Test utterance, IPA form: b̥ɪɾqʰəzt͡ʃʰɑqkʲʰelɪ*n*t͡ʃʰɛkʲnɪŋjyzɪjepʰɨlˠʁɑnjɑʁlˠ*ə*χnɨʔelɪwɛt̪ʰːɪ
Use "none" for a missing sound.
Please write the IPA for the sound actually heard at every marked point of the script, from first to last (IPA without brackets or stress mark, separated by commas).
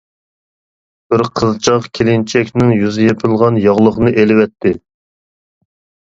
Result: n, ə